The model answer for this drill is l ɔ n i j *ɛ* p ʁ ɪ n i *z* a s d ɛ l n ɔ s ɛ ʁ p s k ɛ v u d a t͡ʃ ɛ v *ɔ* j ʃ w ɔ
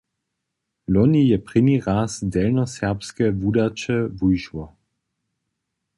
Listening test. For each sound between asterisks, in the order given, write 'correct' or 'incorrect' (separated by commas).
correct, incorrect, incorrect